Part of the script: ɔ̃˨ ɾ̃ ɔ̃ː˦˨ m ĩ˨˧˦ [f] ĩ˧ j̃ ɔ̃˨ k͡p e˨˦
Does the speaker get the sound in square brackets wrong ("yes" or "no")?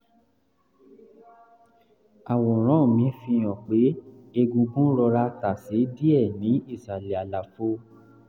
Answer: no